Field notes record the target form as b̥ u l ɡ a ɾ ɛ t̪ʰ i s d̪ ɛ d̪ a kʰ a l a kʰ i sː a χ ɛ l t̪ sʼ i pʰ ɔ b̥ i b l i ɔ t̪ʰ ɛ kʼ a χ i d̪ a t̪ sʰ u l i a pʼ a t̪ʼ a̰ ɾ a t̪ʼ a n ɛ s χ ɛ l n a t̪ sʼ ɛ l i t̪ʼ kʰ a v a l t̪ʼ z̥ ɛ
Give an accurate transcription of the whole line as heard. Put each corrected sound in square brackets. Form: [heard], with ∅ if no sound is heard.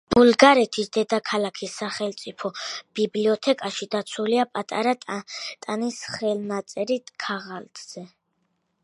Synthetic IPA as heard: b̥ u l ɡ a ɾ ɛ t̪ʰ i s d̪ ɛ d̪ a kʰ a l a kʰ i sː a χ ɛ l t̪ sʼ i pʰ ɔ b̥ i b l i ɔ t̪ʰ ɛ kʼ a [ʃ] i d̪ a t̪ sʰ u l i a pʼ a t̪ʼ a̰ ɾ a t̪ʼ a n [i] s χ ɛ l n a t̪ sʼ ɛ [ɾ] i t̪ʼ kʰ a [ʁ] a l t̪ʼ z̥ ɛ